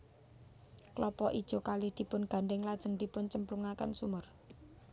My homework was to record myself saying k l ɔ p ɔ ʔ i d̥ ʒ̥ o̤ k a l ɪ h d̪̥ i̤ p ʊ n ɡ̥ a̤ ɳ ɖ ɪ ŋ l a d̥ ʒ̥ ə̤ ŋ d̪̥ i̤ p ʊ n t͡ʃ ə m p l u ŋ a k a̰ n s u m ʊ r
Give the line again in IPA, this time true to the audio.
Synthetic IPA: k l ɔ p ɔ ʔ i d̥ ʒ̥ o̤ k a l ɪ h d̪̥ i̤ p ʊ n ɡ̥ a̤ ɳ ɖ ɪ ŋ l a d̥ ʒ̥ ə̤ ŋ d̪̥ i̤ p ʊ n t͡ʃ ə m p l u ŋ a k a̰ n s u m ʊ r